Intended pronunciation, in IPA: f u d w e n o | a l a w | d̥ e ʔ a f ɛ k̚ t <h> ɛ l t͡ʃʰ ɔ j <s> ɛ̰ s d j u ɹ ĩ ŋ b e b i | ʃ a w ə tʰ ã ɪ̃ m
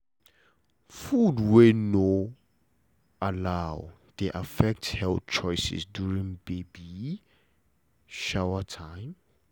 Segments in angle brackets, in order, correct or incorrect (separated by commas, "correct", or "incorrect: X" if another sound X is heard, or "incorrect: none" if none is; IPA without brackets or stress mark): correct, correct